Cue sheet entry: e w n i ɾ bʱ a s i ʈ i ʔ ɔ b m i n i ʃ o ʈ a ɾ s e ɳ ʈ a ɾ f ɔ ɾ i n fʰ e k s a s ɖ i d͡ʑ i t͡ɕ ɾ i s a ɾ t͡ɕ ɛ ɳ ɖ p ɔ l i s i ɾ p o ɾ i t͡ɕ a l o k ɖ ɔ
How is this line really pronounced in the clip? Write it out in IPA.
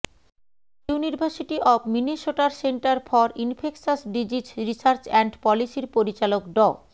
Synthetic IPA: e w n i ɾ bʱ a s i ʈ i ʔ ɔ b m i n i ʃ o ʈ a ɾ s e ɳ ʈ a ɾ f ɔ ɾ i n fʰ e k s a s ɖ i d͡ʑ i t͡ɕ ɾ i s a ɾ t͡ɕ ɛ ɳ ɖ p ɔ l i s i ɾ p o ɾ i t͡ɕ a l o k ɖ ɔ